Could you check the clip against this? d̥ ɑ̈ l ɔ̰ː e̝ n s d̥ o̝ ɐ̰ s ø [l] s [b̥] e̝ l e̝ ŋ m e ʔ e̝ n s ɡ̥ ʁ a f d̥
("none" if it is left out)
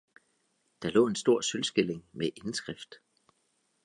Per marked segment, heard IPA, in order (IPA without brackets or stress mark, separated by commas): l, ɡ̥